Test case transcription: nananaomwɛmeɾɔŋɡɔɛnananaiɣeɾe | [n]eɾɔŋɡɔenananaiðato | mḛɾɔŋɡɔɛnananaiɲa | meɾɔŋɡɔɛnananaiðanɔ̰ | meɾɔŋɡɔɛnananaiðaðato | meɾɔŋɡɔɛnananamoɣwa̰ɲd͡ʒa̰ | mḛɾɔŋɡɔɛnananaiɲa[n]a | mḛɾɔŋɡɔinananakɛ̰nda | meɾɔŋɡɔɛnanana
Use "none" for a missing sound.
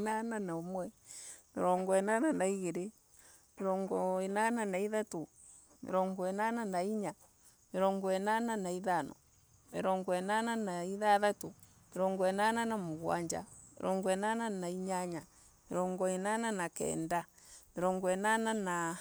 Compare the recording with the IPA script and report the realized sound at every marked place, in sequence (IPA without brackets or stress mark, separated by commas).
m, ɲ